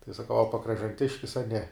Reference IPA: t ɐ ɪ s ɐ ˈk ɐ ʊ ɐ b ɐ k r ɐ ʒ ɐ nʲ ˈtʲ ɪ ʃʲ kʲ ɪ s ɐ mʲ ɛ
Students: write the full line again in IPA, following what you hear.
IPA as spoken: t ɐ ɪ s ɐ ˈk ɐ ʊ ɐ p ɐ k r ɐ ʒ ɐ nʲ ˈtʲ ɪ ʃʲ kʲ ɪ s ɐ nʲ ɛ